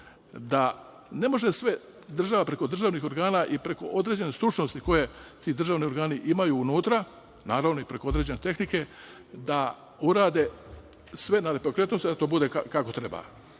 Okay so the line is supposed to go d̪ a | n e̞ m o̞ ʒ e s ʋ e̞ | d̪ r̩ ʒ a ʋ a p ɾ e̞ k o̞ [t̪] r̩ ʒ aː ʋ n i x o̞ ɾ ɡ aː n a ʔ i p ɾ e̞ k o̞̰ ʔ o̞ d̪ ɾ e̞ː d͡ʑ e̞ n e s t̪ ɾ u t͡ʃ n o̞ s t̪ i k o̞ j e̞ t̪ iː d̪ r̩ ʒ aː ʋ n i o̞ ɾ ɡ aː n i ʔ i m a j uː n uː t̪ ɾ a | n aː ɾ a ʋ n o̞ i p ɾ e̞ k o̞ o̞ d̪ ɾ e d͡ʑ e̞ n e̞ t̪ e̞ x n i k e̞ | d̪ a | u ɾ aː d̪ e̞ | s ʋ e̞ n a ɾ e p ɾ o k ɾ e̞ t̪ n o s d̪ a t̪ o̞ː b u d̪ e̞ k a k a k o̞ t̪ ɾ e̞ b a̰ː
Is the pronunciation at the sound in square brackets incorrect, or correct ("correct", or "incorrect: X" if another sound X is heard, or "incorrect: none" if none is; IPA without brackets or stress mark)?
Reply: incorrect: d̪